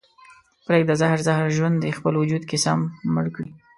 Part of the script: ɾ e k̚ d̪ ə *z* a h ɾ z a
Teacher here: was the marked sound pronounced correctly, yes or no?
yes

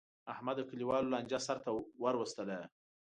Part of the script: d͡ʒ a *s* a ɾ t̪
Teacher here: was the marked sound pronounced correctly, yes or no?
yes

